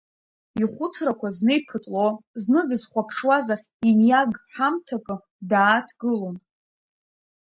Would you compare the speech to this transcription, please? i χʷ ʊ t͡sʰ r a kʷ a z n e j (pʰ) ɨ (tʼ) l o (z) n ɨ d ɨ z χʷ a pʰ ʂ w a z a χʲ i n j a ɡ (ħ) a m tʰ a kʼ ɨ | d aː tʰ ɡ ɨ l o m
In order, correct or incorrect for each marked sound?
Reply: correct, correct, correct, correct

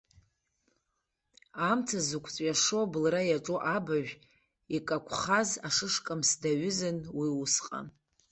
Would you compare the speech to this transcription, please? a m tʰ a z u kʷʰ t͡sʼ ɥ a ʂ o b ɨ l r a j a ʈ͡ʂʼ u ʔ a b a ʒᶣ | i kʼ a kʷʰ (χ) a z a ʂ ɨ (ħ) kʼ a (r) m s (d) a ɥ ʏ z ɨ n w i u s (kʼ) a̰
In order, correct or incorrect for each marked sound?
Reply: correct, incorrect, incorrect, correct, incorrect

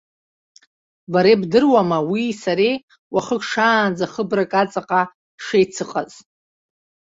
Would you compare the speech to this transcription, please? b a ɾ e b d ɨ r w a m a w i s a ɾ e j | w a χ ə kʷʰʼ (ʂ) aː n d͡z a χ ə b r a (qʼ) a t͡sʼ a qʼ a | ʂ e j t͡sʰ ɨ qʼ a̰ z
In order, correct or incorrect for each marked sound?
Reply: correct, incorrect

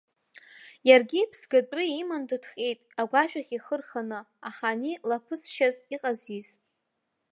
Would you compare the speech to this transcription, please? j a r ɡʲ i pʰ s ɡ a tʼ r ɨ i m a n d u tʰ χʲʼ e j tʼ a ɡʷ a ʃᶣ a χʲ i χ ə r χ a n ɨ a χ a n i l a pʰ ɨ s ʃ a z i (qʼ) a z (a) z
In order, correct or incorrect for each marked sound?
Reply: correct, incorrect

